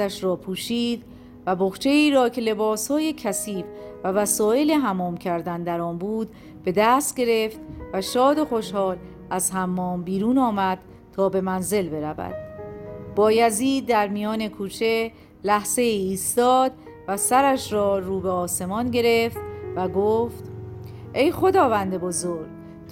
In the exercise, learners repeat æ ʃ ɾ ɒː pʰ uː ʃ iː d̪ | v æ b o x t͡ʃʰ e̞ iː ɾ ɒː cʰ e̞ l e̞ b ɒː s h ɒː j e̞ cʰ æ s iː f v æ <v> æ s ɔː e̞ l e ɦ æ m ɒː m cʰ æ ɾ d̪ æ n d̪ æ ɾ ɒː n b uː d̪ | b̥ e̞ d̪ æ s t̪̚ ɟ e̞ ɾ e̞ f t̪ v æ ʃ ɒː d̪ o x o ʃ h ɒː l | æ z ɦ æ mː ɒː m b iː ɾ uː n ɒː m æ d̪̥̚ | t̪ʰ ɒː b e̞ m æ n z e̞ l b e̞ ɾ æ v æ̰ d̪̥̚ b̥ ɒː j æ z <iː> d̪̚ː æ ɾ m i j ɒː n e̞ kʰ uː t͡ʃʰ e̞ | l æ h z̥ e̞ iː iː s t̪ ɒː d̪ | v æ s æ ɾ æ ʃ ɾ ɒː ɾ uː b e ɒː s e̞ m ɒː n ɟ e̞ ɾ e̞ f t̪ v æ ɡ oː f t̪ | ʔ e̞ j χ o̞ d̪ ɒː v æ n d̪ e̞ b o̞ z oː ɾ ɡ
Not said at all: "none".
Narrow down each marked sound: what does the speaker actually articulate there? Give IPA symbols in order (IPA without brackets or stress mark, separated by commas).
v, iː